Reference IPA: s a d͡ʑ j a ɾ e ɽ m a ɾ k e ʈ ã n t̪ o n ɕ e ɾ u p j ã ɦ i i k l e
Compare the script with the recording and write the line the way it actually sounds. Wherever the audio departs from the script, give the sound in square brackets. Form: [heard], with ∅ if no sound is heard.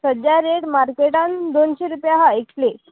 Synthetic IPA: s [ə] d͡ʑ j a ɾ e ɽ m a ɾ k e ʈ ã n [d̪] o n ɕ e ɾ u p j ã ɦ [a] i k l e